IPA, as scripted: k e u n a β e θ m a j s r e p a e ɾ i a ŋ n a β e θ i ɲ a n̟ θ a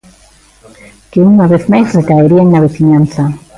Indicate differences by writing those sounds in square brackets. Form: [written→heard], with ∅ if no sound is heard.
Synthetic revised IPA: k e u [n→ŋ] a β e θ m a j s r e [p→k] a e ɾ i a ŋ n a β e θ i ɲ a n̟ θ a